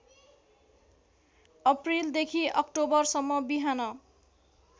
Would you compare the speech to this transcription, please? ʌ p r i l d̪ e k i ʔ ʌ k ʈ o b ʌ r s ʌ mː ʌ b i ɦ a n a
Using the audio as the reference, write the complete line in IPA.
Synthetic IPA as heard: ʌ p r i l d̪ e kʰ i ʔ ʌ k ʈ o b ʌ r s ʌ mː ʌ b i ɦ a n ʌ